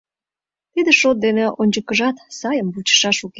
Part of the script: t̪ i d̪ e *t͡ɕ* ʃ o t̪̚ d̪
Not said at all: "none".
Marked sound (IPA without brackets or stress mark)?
none